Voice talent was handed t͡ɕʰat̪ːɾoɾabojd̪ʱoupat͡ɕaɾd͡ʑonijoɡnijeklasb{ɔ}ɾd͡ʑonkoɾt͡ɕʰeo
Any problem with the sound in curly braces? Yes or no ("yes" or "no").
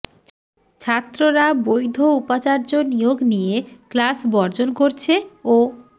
no